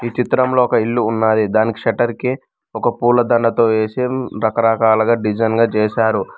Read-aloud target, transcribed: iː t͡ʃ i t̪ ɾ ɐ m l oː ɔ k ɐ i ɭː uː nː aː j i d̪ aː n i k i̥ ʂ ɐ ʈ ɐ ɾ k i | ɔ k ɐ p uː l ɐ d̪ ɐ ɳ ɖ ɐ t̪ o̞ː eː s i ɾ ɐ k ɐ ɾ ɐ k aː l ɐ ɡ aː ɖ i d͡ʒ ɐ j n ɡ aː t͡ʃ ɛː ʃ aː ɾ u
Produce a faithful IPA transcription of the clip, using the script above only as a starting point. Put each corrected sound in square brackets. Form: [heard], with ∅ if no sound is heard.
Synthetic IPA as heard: iː t͡ʃ i t̪ ɾ ɐ m l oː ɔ k ɐ i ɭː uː nː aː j i d̪ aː n i k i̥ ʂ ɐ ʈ ɐ ɾ k i | ɔ k ɐ p uː l ɐ d̪ ɐ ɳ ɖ ɐ t̪ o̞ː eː s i ɾ ɐ k ɐ ɾ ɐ k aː l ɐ ɡ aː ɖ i d͡ʒ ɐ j n ɡ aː t͡ʃ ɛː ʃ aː ɾ u